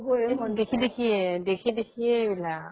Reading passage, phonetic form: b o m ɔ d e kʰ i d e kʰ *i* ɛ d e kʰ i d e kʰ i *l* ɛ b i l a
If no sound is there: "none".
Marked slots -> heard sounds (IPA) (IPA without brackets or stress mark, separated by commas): i, none